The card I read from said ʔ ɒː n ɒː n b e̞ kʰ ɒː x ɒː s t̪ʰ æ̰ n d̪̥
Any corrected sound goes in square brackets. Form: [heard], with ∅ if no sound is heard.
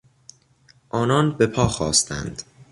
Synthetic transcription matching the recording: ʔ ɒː n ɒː n b e̞ [pʰ] ɒː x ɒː s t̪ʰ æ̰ n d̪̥